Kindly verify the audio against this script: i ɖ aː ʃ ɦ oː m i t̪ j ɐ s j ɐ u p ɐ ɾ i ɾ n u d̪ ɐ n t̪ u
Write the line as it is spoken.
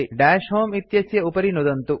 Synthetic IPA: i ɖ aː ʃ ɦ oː m i t̪ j ɐ s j ɐ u p ɐ ɾ i n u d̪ ɐ n t̪ u